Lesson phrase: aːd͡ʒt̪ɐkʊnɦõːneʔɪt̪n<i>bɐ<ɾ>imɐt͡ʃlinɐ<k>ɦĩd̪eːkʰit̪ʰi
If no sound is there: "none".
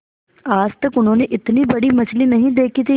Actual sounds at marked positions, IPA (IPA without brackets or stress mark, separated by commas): i, ɽ, none